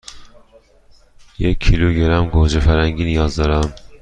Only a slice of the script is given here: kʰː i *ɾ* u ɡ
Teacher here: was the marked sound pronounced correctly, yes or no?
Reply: no